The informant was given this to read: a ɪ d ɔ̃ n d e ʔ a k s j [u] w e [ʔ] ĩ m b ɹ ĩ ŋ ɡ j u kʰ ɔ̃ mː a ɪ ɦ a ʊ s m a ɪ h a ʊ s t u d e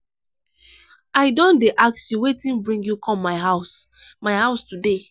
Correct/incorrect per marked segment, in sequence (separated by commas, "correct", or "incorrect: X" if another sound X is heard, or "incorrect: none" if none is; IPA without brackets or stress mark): correct, incorrect: t